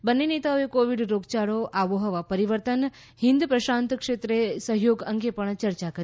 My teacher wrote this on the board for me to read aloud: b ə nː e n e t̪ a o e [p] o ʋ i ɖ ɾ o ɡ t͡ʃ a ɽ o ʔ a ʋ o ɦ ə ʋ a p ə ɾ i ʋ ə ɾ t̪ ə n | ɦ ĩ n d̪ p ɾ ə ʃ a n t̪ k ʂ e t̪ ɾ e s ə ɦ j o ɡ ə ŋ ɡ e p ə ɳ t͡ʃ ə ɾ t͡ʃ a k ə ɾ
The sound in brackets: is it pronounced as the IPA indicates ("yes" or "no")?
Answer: no